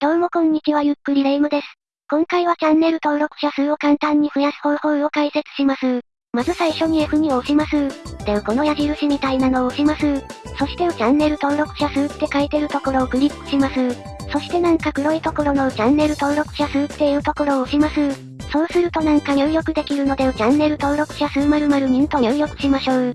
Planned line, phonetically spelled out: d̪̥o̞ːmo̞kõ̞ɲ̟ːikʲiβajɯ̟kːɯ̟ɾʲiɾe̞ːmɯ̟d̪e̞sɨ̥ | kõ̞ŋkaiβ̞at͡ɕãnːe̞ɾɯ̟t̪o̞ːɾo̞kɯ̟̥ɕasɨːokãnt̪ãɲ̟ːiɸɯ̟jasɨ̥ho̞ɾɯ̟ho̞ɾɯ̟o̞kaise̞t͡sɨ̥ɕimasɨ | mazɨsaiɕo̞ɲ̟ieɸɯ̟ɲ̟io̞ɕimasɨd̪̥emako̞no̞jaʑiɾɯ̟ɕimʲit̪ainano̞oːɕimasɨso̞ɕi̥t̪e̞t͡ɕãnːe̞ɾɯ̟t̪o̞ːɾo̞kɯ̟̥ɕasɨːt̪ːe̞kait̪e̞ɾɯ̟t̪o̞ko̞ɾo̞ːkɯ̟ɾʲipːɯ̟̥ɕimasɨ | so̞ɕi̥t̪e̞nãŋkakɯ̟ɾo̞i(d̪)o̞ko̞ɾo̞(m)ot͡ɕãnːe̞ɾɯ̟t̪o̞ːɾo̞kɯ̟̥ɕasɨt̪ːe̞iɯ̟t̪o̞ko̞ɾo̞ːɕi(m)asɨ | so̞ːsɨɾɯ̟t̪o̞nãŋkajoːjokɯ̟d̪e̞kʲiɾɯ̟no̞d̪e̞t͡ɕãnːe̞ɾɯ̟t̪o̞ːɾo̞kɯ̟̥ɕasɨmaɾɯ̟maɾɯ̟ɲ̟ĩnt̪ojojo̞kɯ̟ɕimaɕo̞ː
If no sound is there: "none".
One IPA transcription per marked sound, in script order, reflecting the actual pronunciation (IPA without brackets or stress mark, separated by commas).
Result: t̪, n, m